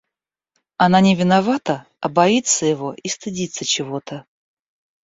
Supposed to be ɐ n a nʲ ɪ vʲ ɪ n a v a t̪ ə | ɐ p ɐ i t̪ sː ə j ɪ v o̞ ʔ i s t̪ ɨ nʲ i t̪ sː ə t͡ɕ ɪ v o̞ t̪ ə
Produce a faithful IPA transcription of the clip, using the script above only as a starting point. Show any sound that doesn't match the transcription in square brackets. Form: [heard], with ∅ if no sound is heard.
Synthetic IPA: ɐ n a nʲ ɪ vʲ ɪ n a v a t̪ ə | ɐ [b] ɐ i t̪ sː ə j ɪ v o̞ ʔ i s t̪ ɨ [dʲ] i t̪ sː ə t͡ɕ ɪ v o̞ t̪ ə